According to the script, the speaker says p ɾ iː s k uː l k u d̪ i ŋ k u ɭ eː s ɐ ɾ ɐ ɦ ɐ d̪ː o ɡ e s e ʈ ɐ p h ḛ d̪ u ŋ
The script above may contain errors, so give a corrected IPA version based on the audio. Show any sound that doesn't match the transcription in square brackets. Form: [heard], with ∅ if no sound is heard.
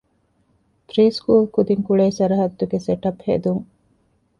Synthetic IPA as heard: p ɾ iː s k uː l k u d̪ i ŋ k u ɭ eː s ɐ ɾ ɐ ɦ ɐ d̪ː [u] ɡ e s e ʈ ɐ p h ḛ d̪ u ŋ